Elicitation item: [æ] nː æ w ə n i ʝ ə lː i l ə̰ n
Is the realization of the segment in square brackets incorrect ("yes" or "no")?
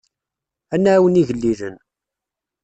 no